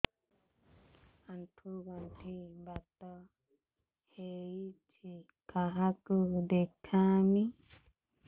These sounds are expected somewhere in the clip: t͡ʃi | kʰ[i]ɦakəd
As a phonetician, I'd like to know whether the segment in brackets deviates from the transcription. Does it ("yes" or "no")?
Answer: yes